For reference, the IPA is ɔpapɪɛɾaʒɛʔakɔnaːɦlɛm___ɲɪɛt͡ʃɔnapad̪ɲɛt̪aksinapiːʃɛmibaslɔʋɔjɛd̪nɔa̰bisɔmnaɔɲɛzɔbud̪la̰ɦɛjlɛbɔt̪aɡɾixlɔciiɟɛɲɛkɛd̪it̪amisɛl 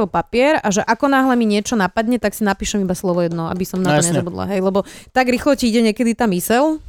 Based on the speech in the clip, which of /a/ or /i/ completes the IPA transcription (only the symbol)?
i